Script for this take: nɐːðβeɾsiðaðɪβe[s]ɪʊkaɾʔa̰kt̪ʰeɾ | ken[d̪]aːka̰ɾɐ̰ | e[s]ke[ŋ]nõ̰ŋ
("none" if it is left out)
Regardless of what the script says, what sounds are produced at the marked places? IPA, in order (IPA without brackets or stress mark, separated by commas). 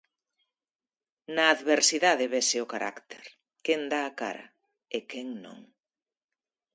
s, d̪, none, ŋ